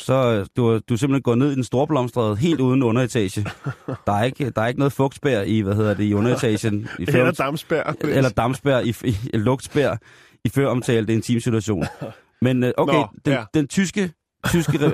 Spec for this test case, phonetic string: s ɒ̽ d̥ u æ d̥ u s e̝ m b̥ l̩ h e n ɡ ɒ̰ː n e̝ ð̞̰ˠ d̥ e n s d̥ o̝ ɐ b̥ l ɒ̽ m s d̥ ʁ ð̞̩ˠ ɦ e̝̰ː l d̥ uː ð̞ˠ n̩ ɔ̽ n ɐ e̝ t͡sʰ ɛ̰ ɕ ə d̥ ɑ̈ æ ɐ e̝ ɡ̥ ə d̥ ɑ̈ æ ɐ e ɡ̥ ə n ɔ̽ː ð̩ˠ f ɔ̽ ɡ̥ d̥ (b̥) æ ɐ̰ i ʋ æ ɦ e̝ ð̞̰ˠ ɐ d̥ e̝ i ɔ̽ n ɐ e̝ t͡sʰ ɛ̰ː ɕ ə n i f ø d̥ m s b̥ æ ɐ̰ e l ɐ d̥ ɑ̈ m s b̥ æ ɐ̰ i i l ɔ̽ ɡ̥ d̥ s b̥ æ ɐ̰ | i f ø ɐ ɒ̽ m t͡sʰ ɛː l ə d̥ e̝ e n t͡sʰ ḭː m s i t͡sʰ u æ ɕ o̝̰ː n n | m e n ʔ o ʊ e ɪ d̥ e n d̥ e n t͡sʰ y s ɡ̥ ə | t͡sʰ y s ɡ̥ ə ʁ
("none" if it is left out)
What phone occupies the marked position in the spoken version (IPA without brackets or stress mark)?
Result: b̥